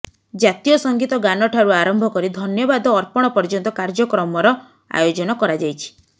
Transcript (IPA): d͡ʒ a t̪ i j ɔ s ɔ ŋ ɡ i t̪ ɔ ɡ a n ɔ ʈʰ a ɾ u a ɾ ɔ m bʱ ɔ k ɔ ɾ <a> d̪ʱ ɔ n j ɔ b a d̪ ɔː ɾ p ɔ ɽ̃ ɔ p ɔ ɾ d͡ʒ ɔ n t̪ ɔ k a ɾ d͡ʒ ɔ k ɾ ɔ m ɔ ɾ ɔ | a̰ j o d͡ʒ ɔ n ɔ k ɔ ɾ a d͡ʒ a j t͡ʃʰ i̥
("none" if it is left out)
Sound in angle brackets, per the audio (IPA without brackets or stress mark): i